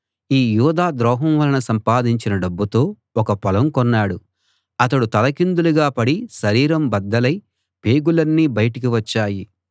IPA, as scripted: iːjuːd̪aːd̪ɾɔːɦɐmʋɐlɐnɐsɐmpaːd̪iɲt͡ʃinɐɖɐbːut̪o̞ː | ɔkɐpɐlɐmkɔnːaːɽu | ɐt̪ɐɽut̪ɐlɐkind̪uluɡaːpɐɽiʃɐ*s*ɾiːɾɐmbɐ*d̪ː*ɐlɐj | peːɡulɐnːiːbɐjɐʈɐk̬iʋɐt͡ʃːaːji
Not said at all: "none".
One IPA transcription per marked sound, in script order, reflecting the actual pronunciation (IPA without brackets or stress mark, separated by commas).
none, d̪ː